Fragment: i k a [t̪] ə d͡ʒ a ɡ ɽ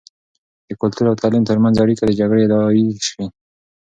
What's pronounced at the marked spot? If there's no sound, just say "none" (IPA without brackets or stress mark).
d̪